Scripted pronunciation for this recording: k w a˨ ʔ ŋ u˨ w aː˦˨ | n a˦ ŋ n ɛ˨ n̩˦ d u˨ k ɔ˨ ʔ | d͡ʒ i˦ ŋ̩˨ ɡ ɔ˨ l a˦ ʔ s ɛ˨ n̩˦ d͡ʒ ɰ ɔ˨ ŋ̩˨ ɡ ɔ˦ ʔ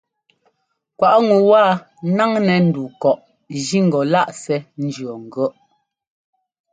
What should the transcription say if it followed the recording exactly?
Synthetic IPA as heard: k w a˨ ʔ ŋ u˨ w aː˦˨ | n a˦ ŋ n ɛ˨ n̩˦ d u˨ k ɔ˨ ʔ | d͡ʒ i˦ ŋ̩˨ ɡ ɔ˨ l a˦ ʔ s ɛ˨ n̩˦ d͡ʒ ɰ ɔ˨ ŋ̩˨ ɡ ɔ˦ ʔ